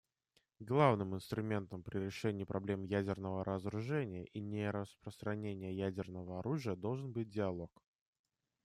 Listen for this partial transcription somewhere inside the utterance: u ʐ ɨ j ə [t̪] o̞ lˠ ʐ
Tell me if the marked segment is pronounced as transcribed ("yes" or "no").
no